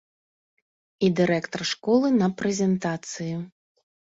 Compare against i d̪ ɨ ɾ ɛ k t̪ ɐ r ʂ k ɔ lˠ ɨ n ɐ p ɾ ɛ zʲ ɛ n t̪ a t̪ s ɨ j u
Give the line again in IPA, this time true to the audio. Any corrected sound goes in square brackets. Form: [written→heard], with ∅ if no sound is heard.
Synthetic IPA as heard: i d̪ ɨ ɾ ɛ k t̪ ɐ r ʂ k ɔ lˠ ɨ n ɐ p ɾ ɛ zʲ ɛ n t̪ a t̪ s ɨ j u